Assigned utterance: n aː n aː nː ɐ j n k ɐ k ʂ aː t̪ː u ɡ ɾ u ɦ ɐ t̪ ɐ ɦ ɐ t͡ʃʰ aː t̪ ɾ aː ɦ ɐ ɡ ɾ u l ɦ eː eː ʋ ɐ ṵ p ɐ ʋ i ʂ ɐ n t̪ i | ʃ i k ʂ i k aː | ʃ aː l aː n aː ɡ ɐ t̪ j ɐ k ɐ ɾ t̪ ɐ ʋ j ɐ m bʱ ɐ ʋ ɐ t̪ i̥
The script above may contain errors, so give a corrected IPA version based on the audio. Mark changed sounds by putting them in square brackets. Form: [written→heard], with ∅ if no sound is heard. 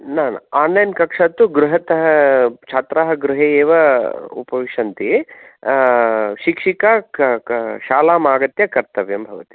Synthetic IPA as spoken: n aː n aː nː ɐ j n k ɐ k ʂ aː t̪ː u ɡ ɾ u ɦ ɐ t̪ ɐ ɦ ɐ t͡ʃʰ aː t̪ ɾ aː ɦ ɐ ɡ ɾ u [l→∅] ɦ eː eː ʋ ɐ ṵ p ɐ ʋ i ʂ ɐ n t̪ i | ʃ i k ʂ i k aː | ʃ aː l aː [n→m] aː ɡ ɐ t̪ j ɐ k ɐ ɾ t̪ ɐ ʋ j ɐ m bʱ ɐ ʋ ɐ t̪ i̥